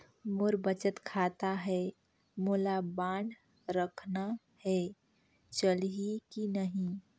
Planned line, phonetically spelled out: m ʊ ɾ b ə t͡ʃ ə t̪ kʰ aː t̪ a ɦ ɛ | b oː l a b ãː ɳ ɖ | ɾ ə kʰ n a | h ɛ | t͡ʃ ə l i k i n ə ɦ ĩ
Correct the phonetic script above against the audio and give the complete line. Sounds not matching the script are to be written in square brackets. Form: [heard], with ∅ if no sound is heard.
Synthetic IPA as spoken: m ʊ ɾ b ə t͡ʃ ə t̪ kʰ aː t̪ a ɦ ɛ | [m] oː l a b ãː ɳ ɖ | ɾ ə kʰ n a | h ɛ | t͡ʃ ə l i k i n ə ɦ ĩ